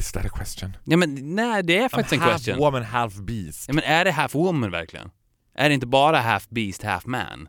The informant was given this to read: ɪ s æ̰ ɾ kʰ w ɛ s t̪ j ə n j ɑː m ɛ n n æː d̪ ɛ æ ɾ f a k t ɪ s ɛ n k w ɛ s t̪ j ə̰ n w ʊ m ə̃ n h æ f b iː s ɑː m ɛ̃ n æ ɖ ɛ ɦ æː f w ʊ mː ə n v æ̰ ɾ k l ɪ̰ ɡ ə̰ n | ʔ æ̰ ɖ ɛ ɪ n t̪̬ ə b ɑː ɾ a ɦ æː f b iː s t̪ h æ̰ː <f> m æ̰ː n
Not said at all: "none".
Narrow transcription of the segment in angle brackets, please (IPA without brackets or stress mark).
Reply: f